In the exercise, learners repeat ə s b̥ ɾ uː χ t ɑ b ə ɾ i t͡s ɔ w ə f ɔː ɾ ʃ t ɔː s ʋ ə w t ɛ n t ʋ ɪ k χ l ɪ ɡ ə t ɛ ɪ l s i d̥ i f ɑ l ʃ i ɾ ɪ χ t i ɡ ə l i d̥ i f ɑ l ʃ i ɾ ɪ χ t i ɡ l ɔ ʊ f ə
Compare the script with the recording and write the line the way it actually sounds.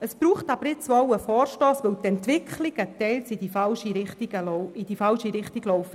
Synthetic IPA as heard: ə s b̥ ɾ uː χ t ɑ b ə ɾ ɪ t͡s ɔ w ə f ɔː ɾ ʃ t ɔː s ʋ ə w t ɛ n t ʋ ɪ k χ l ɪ ɡ ə t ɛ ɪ l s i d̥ i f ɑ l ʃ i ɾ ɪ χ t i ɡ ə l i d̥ i f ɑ l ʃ i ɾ ɪ χ t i ɡ l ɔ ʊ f ə